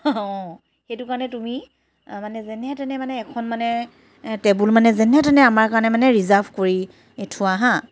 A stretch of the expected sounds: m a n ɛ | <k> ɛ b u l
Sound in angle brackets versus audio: incorrect: t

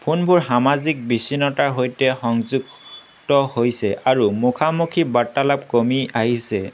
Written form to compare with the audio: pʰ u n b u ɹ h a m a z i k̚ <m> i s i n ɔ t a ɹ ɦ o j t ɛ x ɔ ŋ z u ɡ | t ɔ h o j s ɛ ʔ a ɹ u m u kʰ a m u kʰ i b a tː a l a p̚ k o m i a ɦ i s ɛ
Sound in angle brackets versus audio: incorrect: b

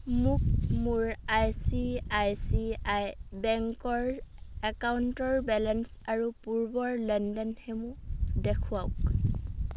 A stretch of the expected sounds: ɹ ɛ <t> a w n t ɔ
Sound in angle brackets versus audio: incorrect: k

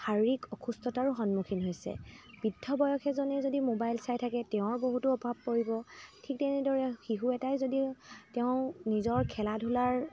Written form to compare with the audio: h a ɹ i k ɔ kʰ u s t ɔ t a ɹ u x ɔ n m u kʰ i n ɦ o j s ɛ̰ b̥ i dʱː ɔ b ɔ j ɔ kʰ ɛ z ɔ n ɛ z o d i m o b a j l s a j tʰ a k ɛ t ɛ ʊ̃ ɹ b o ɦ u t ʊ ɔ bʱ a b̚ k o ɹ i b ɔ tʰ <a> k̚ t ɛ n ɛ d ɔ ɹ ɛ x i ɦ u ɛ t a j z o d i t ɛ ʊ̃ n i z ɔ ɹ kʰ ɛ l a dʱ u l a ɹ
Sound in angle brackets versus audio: incorrect: i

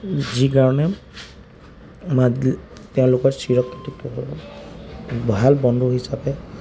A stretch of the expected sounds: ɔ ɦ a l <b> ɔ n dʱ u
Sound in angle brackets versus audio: correct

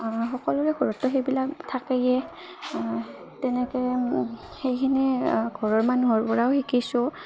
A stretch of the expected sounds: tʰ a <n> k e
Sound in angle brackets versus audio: incorrect: none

